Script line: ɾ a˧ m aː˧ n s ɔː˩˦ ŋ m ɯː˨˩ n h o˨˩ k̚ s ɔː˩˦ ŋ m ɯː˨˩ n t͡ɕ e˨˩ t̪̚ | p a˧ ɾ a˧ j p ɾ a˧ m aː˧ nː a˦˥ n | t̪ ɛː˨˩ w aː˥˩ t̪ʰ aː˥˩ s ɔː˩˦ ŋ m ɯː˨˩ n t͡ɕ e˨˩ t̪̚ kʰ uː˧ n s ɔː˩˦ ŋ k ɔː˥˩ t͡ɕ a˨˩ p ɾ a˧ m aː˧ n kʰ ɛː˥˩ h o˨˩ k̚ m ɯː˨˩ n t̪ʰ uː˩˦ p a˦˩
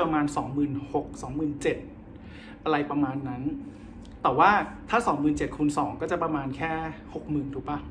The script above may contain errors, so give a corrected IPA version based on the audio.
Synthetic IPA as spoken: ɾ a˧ m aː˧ n s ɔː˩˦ ŋ m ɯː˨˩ n h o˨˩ k̚ s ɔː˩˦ ŋ m ɯː˨˩ n t͡ɕ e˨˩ t̪̚ | ʔ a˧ ɾ a˧ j p ɾ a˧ m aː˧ nː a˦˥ n | t̪ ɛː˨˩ w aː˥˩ t̪ʰ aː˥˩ s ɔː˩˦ ŋ m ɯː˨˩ n t͡ɕ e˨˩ t̪̚ kʰ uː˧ n s ɔː˩˦ ŋ k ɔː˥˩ t͡ɕ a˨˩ p ɾ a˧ m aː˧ n kʰ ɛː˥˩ h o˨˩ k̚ m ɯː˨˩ n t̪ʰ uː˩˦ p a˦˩